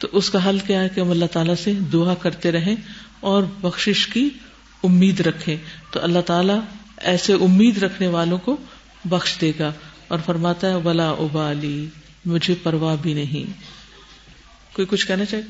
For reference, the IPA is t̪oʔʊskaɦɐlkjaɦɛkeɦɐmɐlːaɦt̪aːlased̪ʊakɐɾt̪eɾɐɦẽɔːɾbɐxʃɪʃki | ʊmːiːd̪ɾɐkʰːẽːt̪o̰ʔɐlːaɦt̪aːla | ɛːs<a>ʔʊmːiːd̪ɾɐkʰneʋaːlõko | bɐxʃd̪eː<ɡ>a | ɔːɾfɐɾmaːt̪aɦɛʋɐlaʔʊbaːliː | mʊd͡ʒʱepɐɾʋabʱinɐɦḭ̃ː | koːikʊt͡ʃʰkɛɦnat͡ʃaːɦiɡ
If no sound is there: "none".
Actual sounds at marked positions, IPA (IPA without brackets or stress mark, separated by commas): e, ɡ